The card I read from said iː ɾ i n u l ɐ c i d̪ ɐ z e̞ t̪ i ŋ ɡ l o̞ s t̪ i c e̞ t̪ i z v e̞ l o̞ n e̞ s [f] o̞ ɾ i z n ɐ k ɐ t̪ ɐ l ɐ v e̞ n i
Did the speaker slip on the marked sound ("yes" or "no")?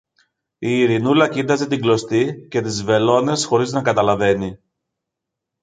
yes